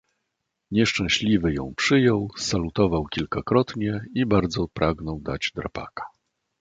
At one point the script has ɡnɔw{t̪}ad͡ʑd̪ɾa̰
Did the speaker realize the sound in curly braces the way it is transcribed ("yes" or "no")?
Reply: no